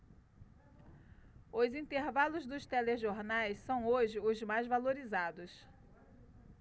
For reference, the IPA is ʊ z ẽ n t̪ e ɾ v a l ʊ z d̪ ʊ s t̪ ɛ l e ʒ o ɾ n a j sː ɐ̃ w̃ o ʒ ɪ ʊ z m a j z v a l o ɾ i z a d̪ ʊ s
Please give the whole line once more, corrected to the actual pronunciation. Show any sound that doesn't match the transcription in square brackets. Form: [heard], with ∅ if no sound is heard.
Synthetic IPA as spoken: ʊ z [ĩ] n t̪ e ɾ v a l ʊ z d̪ ʊ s t̪ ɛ l e ʒ o ɾ n a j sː ɐ̃ w̃ o ʒ ɪ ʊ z m a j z v a l o ɾ i z a d̪ ʊ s